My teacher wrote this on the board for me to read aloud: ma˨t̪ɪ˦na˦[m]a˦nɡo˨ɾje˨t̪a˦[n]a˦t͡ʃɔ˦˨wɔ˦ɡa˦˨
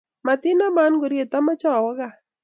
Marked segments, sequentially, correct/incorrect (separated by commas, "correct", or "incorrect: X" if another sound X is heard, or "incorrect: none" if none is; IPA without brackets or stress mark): correct, incorrect: m